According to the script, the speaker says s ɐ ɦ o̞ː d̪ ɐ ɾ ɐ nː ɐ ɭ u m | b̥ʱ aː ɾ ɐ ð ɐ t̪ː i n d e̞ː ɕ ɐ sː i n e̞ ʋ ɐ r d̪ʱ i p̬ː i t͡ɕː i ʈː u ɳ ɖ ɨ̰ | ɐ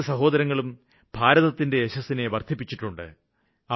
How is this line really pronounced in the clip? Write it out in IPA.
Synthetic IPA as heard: s ɐ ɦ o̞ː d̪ ɐ ɾ ɐ ŋː ɐ ɭ u m | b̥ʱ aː ɾ ɐ ð ɐ t̪ː i n d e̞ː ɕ ɐ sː i n e̞ ʋ ɐ r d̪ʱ i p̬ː i t͡ɕː i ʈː u ɳ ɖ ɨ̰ | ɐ